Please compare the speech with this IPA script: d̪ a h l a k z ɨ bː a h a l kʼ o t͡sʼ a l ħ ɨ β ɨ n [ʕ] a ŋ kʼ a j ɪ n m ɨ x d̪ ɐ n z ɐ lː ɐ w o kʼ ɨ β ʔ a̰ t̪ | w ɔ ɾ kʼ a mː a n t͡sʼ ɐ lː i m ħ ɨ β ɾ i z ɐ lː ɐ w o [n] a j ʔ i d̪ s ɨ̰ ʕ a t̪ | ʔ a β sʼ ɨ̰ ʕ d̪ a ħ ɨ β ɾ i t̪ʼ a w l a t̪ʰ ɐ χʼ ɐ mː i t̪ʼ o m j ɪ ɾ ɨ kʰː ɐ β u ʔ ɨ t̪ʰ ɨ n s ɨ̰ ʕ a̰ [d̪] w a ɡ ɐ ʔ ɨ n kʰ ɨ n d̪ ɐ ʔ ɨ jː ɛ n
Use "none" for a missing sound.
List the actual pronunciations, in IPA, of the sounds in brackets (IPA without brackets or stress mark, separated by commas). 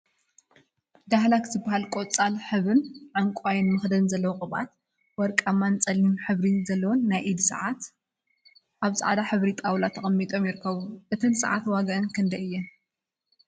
ʕ, nː, t̪